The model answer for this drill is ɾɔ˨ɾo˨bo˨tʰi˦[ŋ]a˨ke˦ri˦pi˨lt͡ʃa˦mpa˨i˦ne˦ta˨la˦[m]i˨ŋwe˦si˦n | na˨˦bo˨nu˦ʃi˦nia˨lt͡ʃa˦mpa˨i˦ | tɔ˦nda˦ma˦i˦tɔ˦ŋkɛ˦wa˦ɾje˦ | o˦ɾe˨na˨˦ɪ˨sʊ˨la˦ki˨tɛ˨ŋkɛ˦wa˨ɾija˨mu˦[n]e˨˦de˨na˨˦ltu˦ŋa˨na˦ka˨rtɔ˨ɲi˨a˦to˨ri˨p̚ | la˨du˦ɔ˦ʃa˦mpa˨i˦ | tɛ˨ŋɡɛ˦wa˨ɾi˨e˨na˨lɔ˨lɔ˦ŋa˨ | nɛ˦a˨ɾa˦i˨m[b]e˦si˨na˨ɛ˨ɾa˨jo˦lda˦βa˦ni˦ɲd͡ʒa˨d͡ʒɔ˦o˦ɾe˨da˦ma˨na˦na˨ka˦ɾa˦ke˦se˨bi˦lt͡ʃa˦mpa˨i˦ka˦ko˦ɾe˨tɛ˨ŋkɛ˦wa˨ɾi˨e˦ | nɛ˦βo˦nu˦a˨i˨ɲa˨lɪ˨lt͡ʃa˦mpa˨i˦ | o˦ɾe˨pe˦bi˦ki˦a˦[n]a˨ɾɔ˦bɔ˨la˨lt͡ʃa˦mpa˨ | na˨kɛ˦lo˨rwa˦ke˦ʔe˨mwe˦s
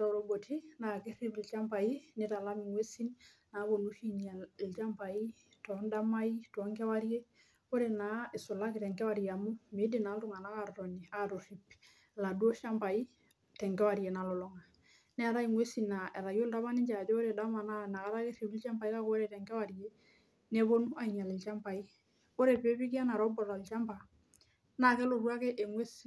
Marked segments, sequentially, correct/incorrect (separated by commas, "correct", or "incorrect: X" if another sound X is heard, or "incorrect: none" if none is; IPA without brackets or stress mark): incorrect: n, correct, incorrect: m, incorrect: w, correct